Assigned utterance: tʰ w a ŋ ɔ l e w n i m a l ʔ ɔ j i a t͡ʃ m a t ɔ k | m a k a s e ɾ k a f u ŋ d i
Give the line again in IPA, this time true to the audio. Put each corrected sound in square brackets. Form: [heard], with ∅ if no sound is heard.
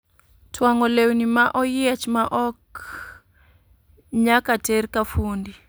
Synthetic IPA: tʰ w a ŋ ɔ l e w n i m a [∅] ʔ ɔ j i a t͡ʃ m a [ʔ] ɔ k | [ɲ] a k a [t] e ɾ k a f u [n] d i